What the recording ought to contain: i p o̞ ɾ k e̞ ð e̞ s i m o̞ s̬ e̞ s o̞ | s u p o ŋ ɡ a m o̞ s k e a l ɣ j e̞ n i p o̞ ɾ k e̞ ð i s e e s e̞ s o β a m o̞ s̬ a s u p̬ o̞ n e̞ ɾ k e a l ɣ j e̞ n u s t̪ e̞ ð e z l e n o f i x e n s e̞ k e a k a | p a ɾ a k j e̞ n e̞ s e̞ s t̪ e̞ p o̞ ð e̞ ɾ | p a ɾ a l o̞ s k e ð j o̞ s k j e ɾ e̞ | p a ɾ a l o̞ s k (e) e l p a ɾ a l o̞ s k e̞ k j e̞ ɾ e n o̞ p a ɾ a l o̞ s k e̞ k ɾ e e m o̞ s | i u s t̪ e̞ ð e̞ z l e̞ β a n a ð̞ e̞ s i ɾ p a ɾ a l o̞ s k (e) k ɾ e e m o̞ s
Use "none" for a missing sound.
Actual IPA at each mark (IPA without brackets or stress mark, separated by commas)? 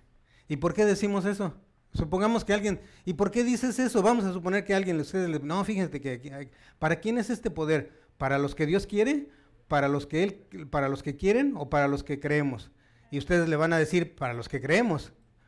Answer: e, e